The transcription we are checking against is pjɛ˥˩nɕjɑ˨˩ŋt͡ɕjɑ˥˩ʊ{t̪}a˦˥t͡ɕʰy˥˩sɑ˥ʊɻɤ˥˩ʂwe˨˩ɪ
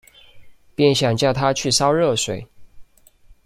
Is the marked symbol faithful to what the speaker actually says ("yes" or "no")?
no